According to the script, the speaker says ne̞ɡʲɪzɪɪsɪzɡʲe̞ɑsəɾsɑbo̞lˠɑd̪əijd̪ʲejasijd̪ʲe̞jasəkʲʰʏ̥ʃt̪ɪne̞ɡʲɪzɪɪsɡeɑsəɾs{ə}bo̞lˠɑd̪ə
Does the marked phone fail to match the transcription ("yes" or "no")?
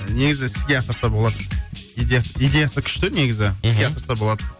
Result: yes